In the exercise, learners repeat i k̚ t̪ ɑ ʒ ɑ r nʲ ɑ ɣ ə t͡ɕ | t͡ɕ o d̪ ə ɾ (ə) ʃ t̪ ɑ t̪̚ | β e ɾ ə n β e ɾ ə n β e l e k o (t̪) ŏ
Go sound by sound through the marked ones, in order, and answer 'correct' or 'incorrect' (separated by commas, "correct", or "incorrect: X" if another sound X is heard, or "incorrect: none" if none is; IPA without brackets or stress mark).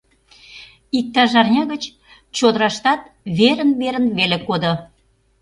incorrect: ɑ, incorrect: d̪